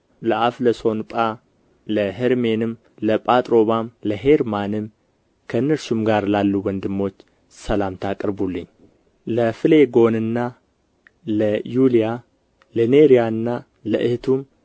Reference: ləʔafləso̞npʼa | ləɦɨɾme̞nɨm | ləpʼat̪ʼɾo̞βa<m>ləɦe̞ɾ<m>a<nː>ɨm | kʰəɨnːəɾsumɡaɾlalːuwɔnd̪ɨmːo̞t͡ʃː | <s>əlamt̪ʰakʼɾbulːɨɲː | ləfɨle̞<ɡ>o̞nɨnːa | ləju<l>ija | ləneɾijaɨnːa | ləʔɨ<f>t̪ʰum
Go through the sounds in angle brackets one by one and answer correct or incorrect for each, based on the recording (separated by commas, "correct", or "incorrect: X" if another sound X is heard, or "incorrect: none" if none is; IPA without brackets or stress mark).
correct, correct, incorrect: n, correct, correct, correct, incorrect: h